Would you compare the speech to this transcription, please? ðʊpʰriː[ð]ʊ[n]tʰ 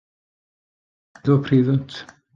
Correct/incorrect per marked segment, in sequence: correct, correct

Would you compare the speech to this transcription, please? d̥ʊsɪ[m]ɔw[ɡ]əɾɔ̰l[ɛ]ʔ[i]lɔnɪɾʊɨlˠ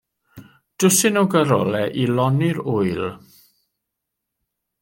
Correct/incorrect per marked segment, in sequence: incorrect: n, correct, correct, correct

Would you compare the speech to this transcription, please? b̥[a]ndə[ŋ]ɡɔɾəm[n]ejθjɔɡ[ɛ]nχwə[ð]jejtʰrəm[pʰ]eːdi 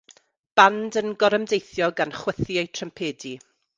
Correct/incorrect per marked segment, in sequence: correct, incorrect: n, incorrect: d, incorrect: a, incorrect: θ, correct

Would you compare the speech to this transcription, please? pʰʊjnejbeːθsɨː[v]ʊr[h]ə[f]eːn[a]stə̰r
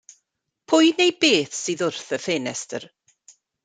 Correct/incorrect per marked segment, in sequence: incorrect: ð, incorrect: θ, correct, incorrect: ɛ

